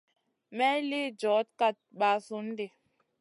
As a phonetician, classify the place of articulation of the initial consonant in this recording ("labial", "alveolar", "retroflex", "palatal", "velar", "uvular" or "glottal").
labial